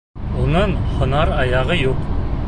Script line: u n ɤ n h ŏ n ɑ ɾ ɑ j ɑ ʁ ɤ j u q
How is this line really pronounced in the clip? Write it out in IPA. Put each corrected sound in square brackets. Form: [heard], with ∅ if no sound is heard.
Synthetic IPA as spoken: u n ɤ [ɴ] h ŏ n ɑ ɾ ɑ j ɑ ʁ ɤ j u q